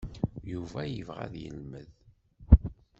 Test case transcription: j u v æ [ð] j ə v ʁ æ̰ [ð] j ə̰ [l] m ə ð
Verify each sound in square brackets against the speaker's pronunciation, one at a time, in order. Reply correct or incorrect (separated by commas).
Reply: incorrect, correct, correct